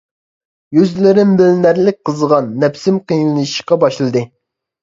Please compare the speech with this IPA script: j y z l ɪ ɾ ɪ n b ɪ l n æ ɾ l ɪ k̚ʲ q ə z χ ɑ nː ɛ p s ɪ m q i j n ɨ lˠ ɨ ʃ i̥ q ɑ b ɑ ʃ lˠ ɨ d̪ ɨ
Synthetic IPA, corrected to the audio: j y z l ɪ ɾ ɪ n b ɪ l n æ ɾ l ɪ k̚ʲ q ə z ʁ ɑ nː ɛ p s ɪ m q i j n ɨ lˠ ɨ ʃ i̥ q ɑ b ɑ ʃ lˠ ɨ d̪ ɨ